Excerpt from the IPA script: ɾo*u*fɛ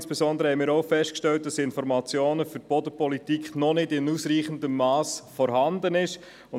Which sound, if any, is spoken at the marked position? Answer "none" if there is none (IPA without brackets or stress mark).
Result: ʊ